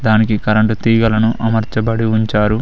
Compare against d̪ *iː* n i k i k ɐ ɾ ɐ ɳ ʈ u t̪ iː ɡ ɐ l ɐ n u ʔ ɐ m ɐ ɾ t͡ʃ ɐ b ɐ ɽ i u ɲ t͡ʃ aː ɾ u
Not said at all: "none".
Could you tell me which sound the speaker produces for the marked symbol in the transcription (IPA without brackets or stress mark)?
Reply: aː